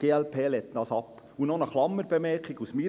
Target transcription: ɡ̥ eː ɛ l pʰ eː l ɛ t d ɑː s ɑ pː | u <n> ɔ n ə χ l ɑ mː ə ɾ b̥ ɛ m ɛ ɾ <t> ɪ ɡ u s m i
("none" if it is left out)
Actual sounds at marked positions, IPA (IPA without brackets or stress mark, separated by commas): n, k